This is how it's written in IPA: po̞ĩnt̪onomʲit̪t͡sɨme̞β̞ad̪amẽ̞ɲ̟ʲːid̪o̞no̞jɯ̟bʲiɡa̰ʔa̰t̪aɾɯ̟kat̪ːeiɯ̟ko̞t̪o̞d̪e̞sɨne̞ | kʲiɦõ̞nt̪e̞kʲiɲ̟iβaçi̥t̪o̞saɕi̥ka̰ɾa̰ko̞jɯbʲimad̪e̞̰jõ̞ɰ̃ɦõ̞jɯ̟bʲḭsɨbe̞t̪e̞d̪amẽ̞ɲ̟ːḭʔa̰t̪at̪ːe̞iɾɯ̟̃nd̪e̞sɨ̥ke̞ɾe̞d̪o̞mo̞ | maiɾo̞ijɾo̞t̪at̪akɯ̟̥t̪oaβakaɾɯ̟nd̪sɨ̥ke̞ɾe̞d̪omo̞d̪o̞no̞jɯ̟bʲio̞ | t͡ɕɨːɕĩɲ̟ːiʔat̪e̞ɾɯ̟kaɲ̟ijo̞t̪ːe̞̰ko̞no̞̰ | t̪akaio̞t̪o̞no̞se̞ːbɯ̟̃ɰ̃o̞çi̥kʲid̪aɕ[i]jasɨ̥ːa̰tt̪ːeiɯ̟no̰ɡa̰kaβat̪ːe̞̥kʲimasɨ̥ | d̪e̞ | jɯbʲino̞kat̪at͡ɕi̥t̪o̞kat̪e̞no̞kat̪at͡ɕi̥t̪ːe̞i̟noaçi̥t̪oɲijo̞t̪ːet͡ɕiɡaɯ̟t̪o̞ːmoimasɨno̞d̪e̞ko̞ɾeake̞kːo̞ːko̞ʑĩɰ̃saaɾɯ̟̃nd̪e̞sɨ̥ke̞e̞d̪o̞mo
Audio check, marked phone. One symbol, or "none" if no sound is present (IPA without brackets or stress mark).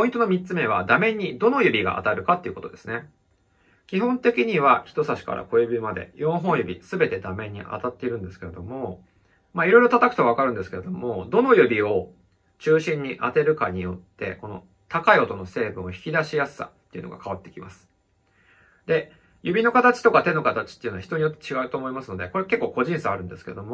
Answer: i